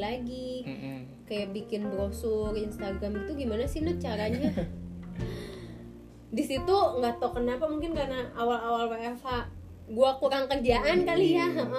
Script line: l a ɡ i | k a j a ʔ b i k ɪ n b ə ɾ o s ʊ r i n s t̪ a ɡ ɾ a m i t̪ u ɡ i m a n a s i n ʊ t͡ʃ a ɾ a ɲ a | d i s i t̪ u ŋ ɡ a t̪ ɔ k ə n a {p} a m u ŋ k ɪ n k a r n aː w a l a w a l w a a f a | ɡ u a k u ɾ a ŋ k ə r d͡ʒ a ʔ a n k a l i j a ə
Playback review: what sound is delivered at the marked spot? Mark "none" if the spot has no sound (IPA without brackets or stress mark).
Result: p